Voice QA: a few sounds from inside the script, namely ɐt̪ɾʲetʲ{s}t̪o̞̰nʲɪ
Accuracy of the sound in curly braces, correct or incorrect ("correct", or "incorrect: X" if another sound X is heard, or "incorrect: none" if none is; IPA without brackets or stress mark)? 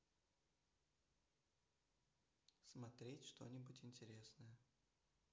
incorrect: ʂ